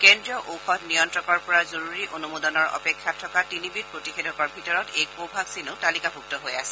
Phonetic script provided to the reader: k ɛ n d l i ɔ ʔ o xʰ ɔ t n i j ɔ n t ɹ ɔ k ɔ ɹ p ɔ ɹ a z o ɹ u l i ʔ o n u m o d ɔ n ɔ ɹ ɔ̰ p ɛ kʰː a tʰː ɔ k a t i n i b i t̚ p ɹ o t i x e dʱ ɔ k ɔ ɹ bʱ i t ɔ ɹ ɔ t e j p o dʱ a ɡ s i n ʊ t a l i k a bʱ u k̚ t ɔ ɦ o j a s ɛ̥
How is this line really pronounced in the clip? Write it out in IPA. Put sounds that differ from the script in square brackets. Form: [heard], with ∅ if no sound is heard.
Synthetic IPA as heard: k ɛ n d [ɹ] i ɔ ʔ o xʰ ɔ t n i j ɔ n t ɹ ɔ k ɔ ɹ p ɔ ɹ a z o ɹ u [ɹ] i ʔ o n u m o d ɔ n ɔ ɹ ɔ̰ p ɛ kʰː a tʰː ɔ k a t i n i b i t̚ p ɹ o t i x e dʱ ɔ k ɔ ɹ bʱ i t ɔ ɹ ɔ t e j p o [bʱ] a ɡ s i n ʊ t a l i k a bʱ u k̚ t ɔ ɦ o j a s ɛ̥